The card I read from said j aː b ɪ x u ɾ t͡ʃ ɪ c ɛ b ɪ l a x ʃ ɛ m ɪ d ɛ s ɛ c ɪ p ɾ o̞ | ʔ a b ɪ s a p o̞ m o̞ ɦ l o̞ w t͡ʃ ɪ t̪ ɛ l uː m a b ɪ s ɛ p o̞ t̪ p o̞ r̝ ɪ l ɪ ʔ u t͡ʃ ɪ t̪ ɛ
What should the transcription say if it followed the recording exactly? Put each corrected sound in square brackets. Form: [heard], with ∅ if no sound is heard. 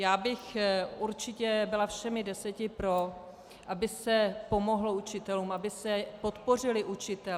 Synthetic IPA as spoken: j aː b ɪ x u ɾ t͡ʃ ɪ c ɛ b ɪ l a [f] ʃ ɛ m ɪ d ɛ s ɛ c ɪ p ɾ o̞ | ʔ a b ɪ s [ɛ] p o̞ m o̞ ɦ l o̞ [u] t͡ʃ ɪ t̪ ɛ l uː m a b ɪ s ɛ p o̞ t̪ p o̞ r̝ ɪ l ɪ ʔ u t͡ʃ ɪ t̪ ɛ